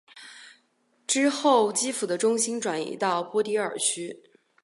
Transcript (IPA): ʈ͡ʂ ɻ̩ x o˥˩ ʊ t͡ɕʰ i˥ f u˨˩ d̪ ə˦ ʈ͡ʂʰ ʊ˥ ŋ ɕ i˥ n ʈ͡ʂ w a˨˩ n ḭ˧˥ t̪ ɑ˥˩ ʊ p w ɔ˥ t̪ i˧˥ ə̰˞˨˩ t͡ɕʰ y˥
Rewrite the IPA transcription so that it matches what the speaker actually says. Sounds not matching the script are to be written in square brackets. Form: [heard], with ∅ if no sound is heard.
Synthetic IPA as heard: ʈ͡ʂ ɻ̩ x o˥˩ ʊ [t͡ɕ] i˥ f u˨˩ d̪ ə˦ [ʈ͡ʂ] ʊ˥ ŋ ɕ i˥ n ʈ͡ʂ w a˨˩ n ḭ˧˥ t̪ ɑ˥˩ ʊ p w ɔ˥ t̪ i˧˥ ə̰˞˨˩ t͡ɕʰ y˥